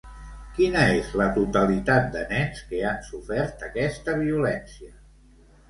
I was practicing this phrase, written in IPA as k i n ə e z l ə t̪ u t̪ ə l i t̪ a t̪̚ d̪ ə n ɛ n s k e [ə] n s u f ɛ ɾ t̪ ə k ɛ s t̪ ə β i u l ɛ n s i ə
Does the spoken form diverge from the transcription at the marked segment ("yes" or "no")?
yes